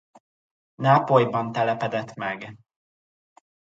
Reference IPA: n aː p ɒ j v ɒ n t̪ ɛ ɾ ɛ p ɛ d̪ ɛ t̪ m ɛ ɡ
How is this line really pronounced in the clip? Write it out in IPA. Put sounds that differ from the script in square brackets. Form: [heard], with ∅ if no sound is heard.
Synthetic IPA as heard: n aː p [o] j [b] ɒ n t̪ ɛ [l] ɛ p ɛ d̪ ɛ t̪ m ɛ ɡ

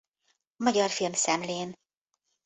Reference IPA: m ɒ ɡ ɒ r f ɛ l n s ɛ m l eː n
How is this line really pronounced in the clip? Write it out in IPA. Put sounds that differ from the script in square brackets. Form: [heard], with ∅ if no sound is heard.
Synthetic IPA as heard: m ɒ [ɟ] ɒ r f [i] l [m] s ɛ m l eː n

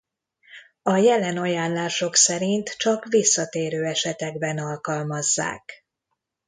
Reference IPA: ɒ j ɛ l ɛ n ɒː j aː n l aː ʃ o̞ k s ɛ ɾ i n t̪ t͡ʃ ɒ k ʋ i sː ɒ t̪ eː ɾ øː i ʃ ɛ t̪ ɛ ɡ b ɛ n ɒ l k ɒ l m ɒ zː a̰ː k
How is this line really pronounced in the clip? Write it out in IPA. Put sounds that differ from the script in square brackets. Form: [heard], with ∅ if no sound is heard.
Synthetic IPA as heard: ɒ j ɛ l ɛ n [ɒ] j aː n l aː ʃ o̞ k s ɛ ɾ i n t̪ t͡ʃ ɒ k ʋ i sː ɒ t̪ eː ɾ øː [ɛ] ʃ ɛ t̪ ɛ ɡ b ɛ n ɒ l k ɒ l m ɒ zː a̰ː k

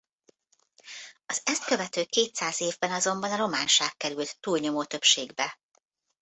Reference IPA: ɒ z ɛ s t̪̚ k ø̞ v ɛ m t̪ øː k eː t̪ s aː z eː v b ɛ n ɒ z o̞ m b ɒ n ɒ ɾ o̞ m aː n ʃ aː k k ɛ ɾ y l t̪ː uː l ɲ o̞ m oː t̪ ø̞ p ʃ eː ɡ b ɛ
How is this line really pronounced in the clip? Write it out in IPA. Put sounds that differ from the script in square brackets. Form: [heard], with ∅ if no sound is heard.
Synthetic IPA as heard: ɒ z ɛ s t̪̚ k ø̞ v ɛ [∅] t̪ øː k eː t̪ s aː z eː v b ɛ n ɒ z o̞ m b ɒ n ɒ ɾ o̞ m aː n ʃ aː k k ɛ ɾ y l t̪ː uː l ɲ o̞ m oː t̪ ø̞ p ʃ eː ɡ b ɛ

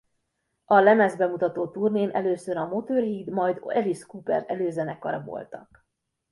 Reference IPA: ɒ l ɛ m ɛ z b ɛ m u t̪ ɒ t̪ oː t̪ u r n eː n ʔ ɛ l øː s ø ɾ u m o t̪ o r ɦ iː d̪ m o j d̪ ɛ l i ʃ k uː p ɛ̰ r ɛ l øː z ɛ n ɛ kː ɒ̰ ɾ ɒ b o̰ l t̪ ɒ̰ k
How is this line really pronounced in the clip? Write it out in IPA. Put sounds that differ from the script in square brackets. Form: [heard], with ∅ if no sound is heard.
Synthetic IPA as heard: ɒ l ɛ m ɛ z b ɛ m u t̪ ɒ t̪ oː t̪ u r n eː n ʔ ɛ l øː s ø ɾ [ɒ] m o t̪ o r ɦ iː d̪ m [ɒ] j d̪ ɛ l i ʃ k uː p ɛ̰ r ɛ l øː z ɛ n ɛ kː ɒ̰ ɾ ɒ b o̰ l t̪ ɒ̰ k

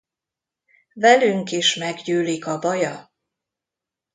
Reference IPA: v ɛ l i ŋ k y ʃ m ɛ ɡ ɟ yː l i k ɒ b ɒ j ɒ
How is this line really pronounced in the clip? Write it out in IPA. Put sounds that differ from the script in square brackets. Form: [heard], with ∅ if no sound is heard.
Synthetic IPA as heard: v ɛ l [y] ŋ k [i] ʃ m ɛ ɡ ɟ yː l i k ɒ b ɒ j ɒ

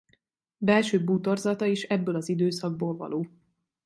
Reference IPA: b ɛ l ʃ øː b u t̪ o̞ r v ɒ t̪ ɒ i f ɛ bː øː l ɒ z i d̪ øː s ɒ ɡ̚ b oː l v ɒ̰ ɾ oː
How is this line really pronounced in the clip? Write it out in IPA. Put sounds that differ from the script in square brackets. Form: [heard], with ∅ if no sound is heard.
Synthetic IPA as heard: b ɛ l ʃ øː b u t̪ o̞ r [z] ɒ t̪ ɒ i [ʃ] ɛ bː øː l ɒ z i d̪ øː s ɒ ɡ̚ b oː l v ɒ̰ [l] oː

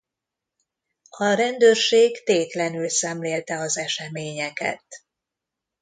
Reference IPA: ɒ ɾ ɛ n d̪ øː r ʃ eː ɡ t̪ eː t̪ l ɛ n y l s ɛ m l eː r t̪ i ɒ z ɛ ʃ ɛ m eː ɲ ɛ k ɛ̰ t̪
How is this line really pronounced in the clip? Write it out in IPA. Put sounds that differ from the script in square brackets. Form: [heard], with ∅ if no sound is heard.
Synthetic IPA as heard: ɒ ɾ ɛ n d̪ øː r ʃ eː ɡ t̪ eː t̪ l ɛ n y l s ɛ m l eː [l] t̪ [ɛ] ɒ z ɛ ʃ ɛ m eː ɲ ɛ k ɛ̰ t̪

